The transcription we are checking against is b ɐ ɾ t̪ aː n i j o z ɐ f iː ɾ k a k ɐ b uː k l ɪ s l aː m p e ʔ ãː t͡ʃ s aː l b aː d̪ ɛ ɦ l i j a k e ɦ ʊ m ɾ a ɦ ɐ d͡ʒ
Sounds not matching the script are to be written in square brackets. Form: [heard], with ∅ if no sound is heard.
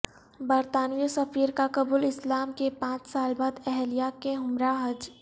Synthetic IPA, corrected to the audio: b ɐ ɾ t̪ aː n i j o [s] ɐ f iː ɾ k a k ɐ b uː [∅] l ɪ s l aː m [k] e [p] ãː t͡ʃ s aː l b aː d̪ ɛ ɦ l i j a k e ɦ ʊ m ɾ a ɦ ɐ d͡ʒ

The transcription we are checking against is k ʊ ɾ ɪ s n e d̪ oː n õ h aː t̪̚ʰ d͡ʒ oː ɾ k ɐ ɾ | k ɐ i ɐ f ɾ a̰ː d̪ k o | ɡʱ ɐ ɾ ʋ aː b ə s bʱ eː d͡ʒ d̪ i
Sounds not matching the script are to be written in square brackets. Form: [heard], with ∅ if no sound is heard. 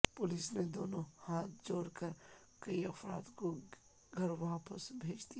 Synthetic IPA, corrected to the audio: [p] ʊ [l] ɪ s n e d̪ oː n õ h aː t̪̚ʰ d͡ʒ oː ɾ k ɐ ɾ | k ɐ i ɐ f ɾ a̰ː d̪ k o | ɡʱ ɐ ɾ ʋ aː [p] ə s bʱ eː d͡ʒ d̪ i

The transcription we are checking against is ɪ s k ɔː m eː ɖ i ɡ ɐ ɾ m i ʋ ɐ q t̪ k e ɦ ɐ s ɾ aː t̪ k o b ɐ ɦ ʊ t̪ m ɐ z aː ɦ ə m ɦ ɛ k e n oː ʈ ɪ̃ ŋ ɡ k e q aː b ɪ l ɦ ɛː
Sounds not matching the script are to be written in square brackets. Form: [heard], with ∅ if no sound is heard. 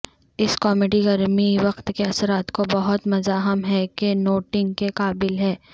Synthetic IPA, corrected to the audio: ɪ s k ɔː m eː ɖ i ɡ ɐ ɾ m i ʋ ɐ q t̪ k e [∅] ɐ s ɾ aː t̪ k o b ɐ ɦ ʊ t̪ m ɐ z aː ɦ ə m ɦ ɛ k e n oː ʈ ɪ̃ ŋ ɡ k e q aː b ɪ l ɦ ɛː

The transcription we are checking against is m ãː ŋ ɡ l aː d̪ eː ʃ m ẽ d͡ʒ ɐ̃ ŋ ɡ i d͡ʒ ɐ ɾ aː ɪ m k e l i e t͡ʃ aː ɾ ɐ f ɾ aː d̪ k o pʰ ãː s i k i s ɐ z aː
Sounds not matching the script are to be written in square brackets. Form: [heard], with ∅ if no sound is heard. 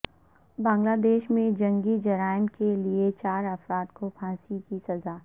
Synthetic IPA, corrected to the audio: [b] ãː ŋ ɡ l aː d̪ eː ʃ m ẽ d͡ʒ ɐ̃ ŋ ɡ i d͡ʒ ɐ ɾ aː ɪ m k e l i e t͡ʃ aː ɾ ɐ f ɾ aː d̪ k o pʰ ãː s i k i s ɐ z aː

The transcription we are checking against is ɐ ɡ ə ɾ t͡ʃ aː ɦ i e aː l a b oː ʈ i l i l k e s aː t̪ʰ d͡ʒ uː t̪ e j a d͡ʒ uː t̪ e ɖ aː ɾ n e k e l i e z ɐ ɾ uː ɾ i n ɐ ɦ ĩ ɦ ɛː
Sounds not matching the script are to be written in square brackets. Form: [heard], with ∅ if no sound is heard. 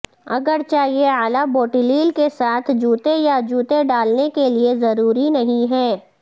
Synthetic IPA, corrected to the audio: ɐ ɡ ə ɾ t͡ʃ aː ɦ i e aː l a b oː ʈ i l [iː] l k e s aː t̪ʰ d͡ʒ uː t̪ e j a d͡ʒ uː t̪ e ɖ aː [l] n e k e l i e z ɐ ɾ uː ɾ i n ɐ ɦ ĩ ɦ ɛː

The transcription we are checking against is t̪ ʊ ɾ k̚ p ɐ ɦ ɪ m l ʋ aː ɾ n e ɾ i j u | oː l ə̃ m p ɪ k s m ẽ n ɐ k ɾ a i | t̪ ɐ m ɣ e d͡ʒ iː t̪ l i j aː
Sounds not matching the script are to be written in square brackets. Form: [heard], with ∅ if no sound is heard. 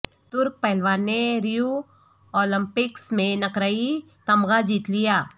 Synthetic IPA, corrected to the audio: t̪ ʊ ɾ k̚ p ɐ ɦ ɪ [∅] l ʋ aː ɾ n e ɾ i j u | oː l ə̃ m p ɪ k s m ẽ n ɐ k ɾ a i | t̪ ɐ m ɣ [a] d͡ʒ iː t̪ l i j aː

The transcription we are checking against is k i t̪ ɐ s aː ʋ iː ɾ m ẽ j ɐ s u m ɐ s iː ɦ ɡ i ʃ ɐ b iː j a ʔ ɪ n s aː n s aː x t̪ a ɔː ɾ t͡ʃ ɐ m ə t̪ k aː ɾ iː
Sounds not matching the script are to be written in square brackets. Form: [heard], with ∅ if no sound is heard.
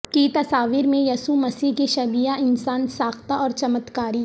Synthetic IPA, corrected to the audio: k i t̪ ɐ s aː ʋ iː ɾ m ẽ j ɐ s u m ɐ s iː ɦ [k] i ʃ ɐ b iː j a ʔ ɪ n s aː n s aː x t̪ a ɔː ɾ t͡ʃ ɐ m ə t̪ k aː ɾ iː

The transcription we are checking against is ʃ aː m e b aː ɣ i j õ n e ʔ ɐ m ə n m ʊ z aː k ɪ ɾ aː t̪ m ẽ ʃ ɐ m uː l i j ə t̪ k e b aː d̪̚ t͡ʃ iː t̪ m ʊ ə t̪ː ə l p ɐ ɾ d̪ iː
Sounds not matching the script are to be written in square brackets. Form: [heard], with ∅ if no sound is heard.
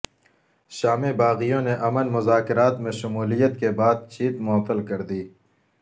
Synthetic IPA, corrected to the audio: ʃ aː m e b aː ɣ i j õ n e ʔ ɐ m ə n m ʊ z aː k ɪ ɾ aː t̪ m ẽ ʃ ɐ m uː l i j ə t̪ k e b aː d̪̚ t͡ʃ iː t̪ m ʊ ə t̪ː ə l [k] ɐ ɾ d̪ iː

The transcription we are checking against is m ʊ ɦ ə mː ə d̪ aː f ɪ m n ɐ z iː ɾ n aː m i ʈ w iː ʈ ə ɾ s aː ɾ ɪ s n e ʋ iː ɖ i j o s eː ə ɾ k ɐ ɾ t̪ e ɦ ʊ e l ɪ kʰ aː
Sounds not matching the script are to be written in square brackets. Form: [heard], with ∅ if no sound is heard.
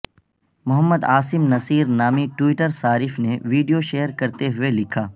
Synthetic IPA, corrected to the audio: m ʊ ɦ ə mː ə d̪ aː [s] ɪ m n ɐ [s] iː ɾ n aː m i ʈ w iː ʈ ə ɾ s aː ɾ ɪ [f] n e ʋ iː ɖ i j o [ʃ] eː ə ɾ k ɐ ɾ t̪ e ɦ ʊ e l ɪ kʰ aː

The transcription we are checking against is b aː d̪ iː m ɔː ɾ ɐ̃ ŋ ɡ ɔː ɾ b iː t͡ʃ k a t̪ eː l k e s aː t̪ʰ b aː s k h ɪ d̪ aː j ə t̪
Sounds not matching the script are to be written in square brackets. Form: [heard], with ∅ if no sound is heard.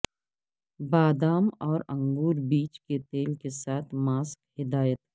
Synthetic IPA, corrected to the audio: b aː d̪ [aː] m ɔː ɾ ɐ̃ ŋ ɡ [uː] ɾ b iː t͡ʃ k [e] t̪ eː l k e s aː t̪ʰ [m] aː s k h ɪ d̪ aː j ə t̪

